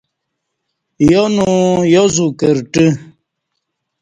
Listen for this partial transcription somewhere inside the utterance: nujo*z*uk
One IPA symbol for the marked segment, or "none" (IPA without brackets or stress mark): z